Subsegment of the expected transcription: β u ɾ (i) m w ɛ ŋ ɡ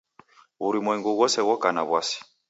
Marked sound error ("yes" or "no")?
no